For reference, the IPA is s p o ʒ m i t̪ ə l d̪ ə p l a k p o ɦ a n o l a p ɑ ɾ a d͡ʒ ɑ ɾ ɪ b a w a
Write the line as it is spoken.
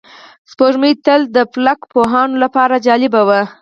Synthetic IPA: s p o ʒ m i t̪ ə l d̪ ə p l a k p o ɦ ɑ n o l a p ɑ ɾ a d͡ʒ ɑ l ɪ b a w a